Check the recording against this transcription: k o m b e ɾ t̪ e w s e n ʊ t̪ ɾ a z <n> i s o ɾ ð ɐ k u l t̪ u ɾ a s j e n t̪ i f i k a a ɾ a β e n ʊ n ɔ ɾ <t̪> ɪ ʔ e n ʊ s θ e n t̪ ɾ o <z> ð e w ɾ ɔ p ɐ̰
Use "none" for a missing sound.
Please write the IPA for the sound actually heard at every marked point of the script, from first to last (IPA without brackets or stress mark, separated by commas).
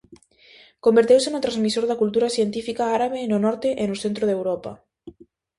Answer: m, t̪, none